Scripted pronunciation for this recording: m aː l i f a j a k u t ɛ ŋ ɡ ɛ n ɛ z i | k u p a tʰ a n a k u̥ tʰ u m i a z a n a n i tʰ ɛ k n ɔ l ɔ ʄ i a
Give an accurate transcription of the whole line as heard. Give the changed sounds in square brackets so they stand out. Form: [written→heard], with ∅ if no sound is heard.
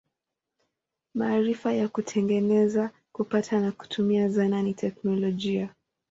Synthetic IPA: m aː [l→ɾ] i f a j a k u [t→tʰ] ɛ ŋ ɡ ɛ n ɛ z [i→a] | k u p a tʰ a n a k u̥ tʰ u m i a z a n a n i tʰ ɛ k n ɔ l ɔ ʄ i a